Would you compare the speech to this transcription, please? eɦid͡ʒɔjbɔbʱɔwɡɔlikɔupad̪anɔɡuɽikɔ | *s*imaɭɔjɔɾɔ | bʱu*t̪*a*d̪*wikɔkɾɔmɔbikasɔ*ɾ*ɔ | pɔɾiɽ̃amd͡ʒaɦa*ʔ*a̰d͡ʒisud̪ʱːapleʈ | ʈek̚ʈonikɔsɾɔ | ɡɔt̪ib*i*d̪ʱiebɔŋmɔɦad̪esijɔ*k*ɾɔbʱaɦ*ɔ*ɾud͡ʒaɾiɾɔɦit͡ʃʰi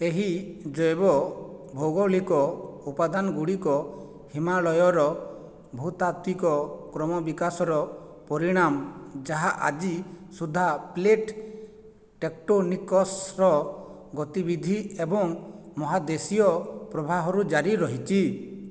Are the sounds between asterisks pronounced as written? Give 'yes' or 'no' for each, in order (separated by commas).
no, yes, no, yes, yes, yes, no, yes